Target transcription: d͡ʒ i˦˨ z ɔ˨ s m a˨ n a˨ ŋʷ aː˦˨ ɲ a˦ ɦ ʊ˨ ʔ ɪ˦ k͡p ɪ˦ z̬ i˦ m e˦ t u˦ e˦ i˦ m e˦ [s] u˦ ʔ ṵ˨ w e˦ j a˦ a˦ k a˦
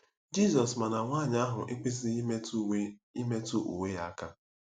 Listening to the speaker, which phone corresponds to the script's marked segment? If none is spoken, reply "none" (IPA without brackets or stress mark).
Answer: t